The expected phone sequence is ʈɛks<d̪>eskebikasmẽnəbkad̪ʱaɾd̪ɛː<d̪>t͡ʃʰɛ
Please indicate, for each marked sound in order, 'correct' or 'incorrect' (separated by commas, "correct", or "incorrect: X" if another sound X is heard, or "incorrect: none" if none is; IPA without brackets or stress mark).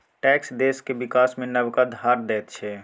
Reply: correct, incorrect: t̪